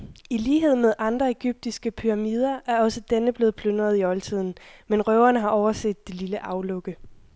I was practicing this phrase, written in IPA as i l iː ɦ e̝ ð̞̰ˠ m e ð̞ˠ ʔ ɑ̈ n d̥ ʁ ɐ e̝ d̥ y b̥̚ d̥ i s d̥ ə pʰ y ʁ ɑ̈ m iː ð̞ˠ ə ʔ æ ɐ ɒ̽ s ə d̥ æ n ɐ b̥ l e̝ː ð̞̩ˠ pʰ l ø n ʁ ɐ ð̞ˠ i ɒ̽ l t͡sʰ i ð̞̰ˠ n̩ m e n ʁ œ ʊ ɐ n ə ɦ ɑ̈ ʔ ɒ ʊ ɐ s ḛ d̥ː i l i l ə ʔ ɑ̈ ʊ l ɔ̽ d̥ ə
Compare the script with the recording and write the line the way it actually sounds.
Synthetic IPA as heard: i l iː ɦ e̝ ð̞̰ˠ m e ð̞ˠ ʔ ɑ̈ n d̥ ʁ ɐ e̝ ɡ̥ y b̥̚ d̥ i s ɡ̥ ə pʰ y ʁ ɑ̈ m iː ð̞ˠ ɐ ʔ æ ɐ ɒ̽ s ə d̥ e n ə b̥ l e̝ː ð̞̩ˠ pʰ l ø n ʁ ɐ ð̞ˠ i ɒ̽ l t͡sʰ i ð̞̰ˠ n̩ m e n ʁ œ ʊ ɐ n ə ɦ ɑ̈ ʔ ɒ ʊ ɐ s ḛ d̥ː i l i l ə ʔ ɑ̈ ʊ l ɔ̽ ɡ̥ ə

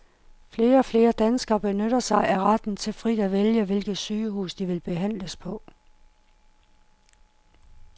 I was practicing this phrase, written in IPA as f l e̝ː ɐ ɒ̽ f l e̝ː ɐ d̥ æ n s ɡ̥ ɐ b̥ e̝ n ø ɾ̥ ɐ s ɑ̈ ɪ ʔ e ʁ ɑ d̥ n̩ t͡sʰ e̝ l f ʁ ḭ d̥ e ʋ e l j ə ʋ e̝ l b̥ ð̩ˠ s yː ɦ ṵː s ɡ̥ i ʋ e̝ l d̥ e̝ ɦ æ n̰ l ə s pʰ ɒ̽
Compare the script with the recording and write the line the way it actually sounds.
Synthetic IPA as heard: f l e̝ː ɐ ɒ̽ f l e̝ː ɐ d̥ æ n s ɡ̥ ɐ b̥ e̝ n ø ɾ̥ ɐ s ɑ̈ ɪ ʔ æ ʁ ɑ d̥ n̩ t͡sʰ e̝ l f ʁ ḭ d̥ æ ʋ e l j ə ʋ e̝ l ɡ̥ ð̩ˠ s yː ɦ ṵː s d̥ i ʋ e̝ l b̥ e̝ ɦ æ n̰ l ə s pʰ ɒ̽

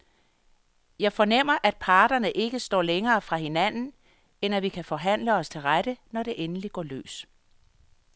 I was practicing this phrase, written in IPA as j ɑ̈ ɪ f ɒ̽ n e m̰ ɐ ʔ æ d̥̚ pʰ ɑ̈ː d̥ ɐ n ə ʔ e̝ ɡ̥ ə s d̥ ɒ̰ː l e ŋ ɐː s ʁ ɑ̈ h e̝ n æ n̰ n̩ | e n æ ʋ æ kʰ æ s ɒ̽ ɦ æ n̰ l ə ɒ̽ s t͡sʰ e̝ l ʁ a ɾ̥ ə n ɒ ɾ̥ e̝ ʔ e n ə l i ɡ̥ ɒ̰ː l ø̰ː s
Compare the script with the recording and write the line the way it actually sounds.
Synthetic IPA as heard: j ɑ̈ ɪ f ɒ̽ n e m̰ ɐ ʔ æ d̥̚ pʰ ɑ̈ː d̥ ɐ n ə ʔ e̝ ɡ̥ ə s d̥ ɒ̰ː l e ŋ ɐː f ʁ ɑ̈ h e̝ n æ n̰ n̩ | e n æ ʋ i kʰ æ f ɒ̽ ɦ æ n̰ l ə ɒ̽ s t͡sʰ e̝ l ʁ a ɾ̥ ə n ɒ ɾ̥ e̝ ʔ e n ə l i ɡ̥ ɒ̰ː l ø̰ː s

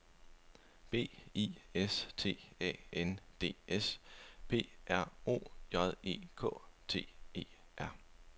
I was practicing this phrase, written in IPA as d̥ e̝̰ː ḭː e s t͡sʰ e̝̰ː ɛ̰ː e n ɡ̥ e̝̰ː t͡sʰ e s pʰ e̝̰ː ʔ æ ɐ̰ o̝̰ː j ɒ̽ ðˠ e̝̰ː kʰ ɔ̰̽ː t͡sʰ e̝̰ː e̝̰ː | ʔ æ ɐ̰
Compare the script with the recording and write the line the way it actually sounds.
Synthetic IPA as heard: b̥ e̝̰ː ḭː e s t͡sʰ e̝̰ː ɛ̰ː e n d̥ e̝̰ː e s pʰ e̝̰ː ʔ æ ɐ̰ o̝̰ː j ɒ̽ ðˠ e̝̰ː kʰ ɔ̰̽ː t͡sʰ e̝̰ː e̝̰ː | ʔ æ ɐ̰

